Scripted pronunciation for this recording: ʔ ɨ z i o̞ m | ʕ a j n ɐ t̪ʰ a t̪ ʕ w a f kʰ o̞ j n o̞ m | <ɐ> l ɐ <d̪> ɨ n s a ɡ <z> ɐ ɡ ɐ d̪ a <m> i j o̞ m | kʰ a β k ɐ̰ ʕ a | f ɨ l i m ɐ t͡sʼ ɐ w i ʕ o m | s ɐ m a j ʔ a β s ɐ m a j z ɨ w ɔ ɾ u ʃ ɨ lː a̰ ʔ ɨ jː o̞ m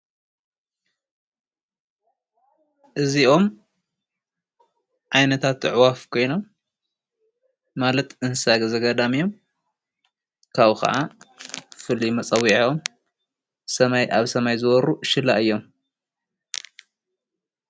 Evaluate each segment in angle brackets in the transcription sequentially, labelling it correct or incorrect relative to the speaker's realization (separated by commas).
incorrect, incorrect, correct, correct